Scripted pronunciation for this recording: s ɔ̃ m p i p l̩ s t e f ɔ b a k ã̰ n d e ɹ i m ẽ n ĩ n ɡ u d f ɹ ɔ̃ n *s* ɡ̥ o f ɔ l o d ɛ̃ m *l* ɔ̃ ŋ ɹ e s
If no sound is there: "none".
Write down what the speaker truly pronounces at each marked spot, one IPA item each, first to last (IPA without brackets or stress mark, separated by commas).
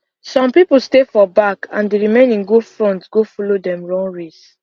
t, ɹ